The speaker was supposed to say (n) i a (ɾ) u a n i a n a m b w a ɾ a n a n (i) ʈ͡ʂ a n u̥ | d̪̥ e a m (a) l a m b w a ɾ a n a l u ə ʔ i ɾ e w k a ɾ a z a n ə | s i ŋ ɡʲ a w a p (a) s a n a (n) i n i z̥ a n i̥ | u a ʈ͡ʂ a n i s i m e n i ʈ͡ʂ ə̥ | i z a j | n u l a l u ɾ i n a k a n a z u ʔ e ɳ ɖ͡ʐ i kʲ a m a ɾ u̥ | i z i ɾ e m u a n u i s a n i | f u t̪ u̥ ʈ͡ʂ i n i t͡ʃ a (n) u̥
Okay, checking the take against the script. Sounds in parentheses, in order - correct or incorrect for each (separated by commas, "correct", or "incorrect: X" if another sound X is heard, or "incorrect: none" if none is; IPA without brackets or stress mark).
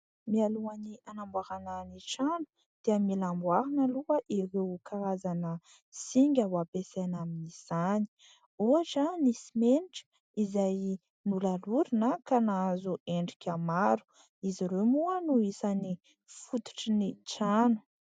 incorrect: m, incorrect: l, correct, incorrect: i, incorrect: e, incorrect: m, correct